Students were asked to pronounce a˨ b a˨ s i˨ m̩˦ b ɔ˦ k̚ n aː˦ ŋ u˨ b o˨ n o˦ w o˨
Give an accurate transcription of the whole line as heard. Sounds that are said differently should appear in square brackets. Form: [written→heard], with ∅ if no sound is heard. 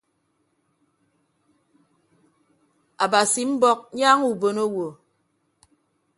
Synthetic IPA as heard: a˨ b a˨ s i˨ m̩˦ b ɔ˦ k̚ [n→ɲ] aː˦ ŋ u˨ b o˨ n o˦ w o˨